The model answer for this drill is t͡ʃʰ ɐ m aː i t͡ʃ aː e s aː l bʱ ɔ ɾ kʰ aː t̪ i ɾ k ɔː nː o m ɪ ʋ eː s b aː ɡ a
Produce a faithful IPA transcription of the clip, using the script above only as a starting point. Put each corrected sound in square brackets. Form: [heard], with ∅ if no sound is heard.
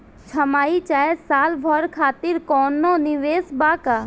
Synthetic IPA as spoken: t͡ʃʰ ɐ m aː i t͡ʃ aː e s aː l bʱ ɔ ɾ kʰ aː t̪ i ɾ k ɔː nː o [n] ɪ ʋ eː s b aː [k] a